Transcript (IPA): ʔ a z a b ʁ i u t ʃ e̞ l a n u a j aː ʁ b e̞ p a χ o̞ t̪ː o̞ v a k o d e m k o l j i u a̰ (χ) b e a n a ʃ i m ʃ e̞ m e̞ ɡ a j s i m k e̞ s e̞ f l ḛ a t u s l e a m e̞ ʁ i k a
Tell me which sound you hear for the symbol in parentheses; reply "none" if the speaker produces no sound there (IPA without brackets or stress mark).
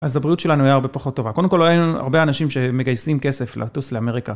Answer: ʁ